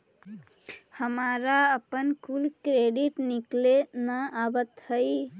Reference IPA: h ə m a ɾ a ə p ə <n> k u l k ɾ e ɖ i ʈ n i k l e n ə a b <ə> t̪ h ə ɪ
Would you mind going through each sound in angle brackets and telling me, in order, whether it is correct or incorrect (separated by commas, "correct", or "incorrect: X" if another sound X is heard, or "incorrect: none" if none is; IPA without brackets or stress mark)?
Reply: correct, correct